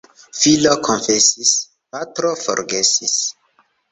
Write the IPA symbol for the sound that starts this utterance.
f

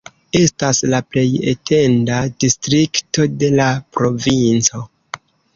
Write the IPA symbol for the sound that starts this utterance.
e̞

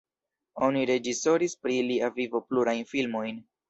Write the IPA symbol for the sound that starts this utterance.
o̞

